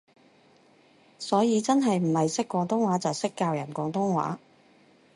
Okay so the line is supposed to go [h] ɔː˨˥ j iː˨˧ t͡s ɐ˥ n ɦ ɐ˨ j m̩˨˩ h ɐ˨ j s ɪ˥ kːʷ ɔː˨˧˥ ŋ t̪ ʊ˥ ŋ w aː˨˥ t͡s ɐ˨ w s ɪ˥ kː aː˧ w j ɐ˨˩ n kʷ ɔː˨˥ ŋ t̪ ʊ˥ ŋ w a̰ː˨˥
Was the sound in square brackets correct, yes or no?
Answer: no